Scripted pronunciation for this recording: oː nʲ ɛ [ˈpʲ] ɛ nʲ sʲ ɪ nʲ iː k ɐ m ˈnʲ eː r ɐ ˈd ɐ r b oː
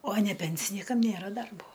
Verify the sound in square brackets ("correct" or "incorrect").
correct